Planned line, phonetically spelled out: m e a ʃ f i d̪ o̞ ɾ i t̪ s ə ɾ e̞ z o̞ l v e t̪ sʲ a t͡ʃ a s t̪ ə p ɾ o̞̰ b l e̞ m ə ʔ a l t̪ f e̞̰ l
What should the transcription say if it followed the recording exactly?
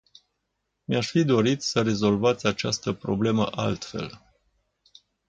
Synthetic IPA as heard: m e a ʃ f i d̪ o̞ ɾ i t̪ s ə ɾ e̞ z o̞ l v a t̪ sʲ a t͡ʃ a s t̪ ə p ɾ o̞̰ b l e̞ m ə ʔ a l t̪ f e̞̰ l